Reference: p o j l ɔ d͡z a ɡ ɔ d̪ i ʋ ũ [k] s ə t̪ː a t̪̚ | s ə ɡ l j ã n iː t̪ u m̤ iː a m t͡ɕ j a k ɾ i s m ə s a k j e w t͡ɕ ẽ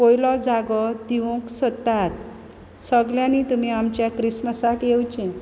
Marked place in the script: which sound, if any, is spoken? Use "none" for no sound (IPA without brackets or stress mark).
k